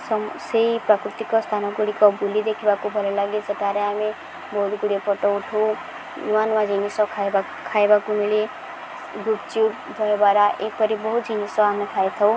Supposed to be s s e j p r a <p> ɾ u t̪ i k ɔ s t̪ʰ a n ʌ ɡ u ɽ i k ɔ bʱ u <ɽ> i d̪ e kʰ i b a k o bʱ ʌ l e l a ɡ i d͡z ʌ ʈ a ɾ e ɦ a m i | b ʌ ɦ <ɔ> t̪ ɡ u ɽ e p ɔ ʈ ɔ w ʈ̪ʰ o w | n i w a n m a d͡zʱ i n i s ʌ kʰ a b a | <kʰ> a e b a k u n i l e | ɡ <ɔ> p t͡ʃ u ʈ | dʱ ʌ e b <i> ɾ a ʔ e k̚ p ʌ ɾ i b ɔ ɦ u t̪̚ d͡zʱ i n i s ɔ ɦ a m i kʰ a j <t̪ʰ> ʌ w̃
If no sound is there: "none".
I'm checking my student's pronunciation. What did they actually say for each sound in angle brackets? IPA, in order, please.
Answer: k, l, u, kʰ, u, a, t̪ʰ

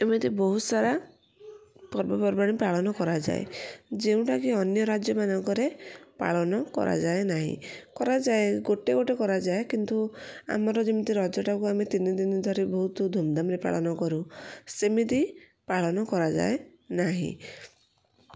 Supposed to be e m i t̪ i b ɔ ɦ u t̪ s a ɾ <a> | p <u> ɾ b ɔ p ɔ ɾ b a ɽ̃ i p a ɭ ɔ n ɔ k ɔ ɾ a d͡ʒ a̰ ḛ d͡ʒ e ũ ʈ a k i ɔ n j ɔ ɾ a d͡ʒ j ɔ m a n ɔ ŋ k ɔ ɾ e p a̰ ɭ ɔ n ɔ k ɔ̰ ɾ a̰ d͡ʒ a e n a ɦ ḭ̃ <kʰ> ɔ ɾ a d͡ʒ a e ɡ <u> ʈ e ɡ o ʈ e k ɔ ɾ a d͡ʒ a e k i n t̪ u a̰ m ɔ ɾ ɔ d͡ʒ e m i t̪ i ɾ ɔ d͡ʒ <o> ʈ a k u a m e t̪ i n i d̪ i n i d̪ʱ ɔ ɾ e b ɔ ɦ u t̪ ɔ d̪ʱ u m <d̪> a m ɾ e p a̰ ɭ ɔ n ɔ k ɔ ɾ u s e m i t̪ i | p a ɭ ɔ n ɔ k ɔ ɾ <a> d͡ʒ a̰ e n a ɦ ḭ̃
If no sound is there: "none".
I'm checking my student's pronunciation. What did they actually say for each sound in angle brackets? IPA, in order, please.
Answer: a, ɔ, k, o, ɔ, d̪, a

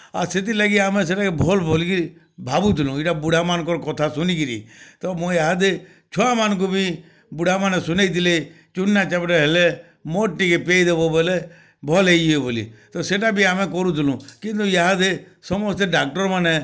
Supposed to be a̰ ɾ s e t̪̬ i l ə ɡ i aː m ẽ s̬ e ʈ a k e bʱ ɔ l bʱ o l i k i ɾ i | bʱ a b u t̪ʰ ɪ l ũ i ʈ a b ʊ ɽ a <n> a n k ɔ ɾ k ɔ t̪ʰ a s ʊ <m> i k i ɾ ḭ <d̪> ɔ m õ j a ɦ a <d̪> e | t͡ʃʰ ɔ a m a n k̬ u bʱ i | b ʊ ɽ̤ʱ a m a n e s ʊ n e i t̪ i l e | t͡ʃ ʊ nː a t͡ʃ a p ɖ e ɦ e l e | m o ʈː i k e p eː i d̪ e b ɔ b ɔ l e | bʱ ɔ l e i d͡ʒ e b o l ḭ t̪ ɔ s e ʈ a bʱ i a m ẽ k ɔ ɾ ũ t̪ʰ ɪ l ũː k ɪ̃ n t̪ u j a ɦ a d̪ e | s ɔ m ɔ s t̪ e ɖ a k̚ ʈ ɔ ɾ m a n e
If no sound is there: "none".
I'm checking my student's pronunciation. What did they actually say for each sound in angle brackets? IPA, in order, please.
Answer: m, n, t̪, d̪

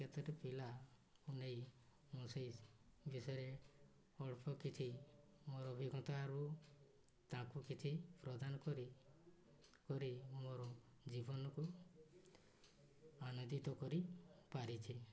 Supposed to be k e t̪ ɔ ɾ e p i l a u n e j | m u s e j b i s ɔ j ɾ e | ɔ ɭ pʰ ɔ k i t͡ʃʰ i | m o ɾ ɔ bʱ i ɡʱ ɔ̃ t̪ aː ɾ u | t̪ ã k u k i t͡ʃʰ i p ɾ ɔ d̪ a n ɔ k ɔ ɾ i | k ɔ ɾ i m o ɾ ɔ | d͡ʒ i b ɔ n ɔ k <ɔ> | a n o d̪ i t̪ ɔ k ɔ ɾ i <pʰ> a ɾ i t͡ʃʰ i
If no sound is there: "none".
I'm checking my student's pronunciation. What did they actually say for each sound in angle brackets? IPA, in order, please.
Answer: u, p

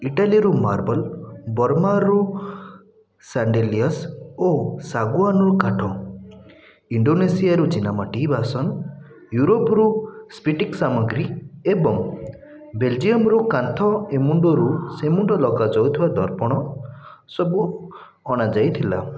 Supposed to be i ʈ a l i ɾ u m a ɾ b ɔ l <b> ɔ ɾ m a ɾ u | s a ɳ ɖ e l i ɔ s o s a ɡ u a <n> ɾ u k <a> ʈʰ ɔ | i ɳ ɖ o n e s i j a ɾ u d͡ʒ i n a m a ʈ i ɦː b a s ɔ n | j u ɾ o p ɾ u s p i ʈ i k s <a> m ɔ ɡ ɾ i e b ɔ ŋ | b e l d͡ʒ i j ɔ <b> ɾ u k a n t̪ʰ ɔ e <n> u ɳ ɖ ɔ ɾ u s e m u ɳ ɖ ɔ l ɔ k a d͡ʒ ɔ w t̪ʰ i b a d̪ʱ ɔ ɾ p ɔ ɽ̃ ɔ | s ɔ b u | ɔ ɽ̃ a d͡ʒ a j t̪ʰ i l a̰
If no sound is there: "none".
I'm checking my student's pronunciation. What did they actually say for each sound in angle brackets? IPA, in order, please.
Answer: b, n, a, a, m, m

